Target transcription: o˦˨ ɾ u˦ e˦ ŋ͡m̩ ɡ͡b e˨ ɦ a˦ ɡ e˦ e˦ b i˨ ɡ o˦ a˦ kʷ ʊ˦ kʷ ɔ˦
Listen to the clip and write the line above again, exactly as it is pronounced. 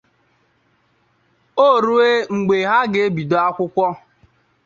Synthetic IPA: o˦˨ ɾ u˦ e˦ ŋ͡m̩ ɡ͡b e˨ ɦ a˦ ɡ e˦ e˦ b i˨ d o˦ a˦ kʷ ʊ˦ kʷ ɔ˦